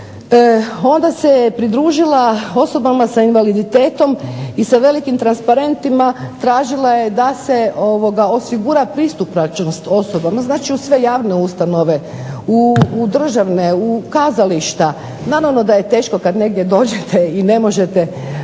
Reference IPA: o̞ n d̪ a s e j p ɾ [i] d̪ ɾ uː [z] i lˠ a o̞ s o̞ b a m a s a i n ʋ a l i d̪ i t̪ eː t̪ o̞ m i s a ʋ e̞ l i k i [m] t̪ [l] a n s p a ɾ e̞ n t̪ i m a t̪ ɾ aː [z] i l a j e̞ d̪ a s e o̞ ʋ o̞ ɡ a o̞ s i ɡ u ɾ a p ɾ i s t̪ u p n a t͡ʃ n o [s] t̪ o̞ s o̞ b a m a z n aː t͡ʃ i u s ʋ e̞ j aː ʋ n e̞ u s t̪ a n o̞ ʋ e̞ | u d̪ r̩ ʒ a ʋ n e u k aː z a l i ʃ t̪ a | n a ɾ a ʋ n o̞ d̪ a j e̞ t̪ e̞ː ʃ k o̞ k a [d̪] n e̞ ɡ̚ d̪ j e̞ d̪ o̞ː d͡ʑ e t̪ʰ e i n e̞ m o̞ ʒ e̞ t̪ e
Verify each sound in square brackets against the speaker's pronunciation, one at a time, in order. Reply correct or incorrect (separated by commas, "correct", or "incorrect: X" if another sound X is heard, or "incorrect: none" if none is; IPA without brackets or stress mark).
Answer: correct, incorrect: ʒ, correct, incorrect: ɾ, incorrect: ʒ, correct, correct